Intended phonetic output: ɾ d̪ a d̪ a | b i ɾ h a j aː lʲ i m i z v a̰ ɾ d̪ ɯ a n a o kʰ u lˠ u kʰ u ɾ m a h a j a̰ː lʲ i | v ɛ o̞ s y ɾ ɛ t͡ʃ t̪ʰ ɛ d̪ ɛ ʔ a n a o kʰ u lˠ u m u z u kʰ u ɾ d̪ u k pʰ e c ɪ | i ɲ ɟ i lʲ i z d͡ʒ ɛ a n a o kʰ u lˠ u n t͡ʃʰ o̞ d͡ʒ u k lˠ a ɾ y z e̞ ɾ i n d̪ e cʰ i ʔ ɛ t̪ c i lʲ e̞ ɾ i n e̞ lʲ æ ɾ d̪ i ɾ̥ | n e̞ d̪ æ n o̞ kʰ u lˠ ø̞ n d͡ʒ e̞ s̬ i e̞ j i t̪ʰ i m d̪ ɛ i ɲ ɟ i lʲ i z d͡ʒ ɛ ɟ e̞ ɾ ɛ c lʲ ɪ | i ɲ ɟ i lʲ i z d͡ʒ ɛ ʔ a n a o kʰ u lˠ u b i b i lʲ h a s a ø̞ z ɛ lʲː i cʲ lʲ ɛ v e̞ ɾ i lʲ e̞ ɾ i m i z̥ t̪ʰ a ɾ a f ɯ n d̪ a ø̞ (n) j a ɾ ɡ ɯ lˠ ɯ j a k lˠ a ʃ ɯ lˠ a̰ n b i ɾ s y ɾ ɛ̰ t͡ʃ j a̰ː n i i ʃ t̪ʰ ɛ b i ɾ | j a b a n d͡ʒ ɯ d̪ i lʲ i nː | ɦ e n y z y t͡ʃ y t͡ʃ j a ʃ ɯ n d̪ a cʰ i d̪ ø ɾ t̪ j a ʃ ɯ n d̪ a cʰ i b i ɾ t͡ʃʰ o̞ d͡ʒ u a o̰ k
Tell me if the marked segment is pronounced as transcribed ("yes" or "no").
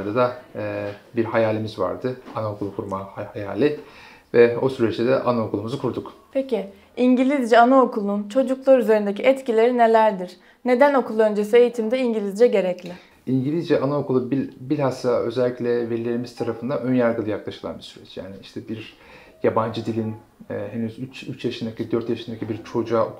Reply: yes